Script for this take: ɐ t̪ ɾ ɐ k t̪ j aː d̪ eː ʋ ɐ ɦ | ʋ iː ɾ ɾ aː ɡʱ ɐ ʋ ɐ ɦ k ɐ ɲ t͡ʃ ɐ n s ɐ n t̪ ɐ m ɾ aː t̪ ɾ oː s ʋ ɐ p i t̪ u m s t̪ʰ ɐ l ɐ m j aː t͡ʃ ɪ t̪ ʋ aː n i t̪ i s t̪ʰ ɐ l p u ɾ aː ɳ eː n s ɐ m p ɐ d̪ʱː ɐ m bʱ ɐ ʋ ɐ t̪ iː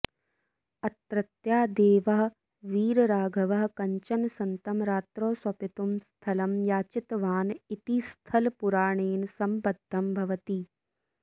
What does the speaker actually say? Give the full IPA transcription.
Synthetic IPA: ɐ t̪ ɾ ɐ t̪ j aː d̪ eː ʋ ɐ ɦ | ʋ iː ɾ ɾ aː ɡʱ ɐ ʋ ɐ ɦ k ɐ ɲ t͡ʃ ɐ n s ɐ n t̪ ɐ m ɾ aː t̪ ɾ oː s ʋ ɐ p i t̪ u m s t̪ʰ ɐ l ɐ m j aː t͡ʃ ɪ t̪ ʋ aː n i t̪ i s t̪ʰ ɐ l p u ɾ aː ɳ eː n s ɐ m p ɐ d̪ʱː ɐ m bʱ ɐ ʋ ɐ t̪ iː